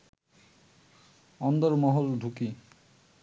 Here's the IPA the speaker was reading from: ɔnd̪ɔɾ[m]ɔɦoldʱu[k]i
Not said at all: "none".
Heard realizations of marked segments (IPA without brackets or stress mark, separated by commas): m, k